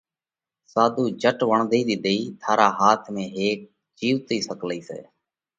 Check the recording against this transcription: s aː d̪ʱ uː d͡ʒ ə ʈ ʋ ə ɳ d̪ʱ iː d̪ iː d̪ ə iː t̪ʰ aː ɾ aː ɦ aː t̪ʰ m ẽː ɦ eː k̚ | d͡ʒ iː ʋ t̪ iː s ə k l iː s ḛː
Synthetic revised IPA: s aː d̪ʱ uː d͡ʒ ə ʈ ʋ ə ɳ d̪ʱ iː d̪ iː d̪ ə iː t̪ʰ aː ɾ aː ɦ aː t̪ʰ m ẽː ɦ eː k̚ | d͡ʒ iː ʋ t̪ iː s ə k l iː s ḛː